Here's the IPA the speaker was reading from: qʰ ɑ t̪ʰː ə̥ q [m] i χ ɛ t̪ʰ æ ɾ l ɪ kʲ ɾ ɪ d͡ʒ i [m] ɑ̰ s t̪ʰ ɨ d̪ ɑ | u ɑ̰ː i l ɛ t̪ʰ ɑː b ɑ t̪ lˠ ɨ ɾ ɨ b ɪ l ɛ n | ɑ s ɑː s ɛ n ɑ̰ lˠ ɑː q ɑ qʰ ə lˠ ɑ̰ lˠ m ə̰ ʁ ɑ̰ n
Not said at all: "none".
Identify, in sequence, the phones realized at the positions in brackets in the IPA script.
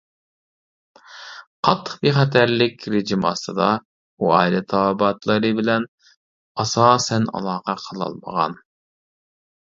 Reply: b, m

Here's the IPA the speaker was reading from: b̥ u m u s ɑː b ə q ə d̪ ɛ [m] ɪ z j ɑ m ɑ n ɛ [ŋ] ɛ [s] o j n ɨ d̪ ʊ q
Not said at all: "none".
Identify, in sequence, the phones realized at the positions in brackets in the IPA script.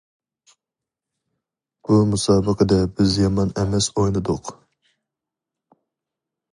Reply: b, m, s

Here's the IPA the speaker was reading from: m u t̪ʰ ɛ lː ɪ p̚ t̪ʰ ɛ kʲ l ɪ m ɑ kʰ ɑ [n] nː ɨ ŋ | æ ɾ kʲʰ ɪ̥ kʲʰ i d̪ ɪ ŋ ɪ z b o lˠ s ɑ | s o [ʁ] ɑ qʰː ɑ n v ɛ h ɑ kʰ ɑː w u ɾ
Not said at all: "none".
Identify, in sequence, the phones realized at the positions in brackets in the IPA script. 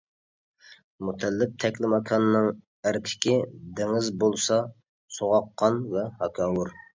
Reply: n, ʁ

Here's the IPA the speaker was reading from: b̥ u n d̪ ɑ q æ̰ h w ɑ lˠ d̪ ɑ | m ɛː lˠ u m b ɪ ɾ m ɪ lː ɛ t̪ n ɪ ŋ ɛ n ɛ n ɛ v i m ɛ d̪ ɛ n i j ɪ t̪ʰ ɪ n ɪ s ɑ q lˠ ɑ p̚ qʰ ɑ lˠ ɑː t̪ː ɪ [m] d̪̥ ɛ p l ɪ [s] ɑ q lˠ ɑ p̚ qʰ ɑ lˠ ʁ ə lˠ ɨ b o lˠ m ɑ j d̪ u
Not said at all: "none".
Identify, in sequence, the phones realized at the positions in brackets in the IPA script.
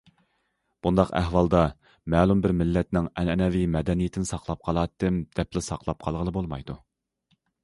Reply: m, s

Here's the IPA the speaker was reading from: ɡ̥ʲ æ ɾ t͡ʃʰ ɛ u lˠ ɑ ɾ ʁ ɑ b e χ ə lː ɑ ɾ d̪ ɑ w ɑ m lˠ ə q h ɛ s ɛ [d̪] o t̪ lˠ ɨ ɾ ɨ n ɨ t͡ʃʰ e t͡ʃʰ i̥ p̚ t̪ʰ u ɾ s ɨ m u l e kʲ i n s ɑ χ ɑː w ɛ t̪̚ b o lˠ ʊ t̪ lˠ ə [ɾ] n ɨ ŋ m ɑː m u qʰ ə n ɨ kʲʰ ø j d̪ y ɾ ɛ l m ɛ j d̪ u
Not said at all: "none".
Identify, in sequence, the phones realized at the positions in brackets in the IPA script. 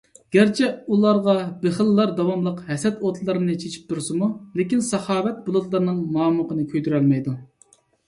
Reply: t̪, ɾ

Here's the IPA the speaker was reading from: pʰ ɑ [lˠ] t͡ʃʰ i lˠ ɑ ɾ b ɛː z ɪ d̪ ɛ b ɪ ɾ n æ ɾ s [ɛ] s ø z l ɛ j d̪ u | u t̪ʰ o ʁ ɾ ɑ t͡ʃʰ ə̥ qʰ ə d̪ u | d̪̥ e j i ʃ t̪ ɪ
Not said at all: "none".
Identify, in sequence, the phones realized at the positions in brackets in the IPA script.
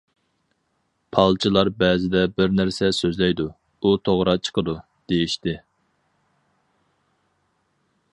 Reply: lˠ, ɛ

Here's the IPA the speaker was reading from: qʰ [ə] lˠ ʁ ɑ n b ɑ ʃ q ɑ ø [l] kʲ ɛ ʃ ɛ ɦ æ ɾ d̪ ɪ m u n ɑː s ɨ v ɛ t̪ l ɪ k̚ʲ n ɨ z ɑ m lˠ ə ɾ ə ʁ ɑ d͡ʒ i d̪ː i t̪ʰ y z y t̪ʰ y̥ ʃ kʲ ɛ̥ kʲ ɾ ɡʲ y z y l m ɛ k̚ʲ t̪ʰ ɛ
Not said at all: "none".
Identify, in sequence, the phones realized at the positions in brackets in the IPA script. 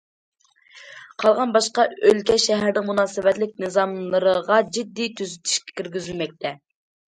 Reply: ɑ, l

